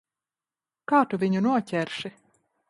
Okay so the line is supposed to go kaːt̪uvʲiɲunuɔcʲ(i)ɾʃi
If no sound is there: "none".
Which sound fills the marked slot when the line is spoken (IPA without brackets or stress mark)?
ɛ